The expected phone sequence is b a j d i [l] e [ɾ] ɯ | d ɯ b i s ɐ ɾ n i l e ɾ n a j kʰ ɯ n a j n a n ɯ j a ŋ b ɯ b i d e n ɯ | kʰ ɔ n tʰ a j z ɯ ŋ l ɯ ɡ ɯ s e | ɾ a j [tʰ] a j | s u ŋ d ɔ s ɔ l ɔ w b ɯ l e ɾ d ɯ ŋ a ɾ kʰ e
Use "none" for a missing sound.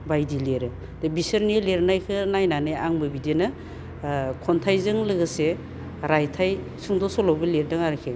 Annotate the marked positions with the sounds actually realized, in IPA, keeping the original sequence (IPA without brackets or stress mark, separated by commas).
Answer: l, ɾ, tʰ